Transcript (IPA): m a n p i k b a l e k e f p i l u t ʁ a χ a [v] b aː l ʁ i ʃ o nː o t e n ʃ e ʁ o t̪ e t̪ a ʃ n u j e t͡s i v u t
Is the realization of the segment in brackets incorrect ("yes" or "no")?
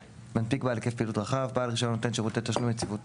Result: no